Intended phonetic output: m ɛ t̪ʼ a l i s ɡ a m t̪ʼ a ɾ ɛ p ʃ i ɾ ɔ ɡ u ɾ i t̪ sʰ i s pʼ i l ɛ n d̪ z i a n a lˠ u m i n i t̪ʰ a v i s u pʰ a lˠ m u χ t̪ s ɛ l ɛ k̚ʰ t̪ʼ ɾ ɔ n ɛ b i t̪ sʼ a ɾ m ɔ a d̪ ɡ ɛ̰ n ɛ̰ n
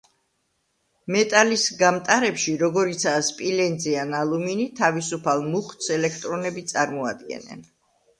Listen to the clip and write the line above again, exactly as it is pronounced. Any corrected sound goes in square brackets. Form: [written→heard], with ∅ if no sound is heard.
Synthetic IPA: m ɛ t̪ʼ a l i s ɡ a m t̪ʼ a ɾ ɛ p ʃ i ɾ ɔ ɡ [u→ɔ] ɾ i t̪ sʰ [i→a] s pʼ i l ɛ n d̪ z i a n a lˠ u m i n i t̪ʰ a v i s u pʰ a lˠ m u χ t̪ s ɛ l ɛ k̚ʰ t̪ʼ ɾ ɔ n ɛ b i t̪ sʼ a ɾ m ɔ a d̪ ɡ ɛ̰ n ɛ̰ n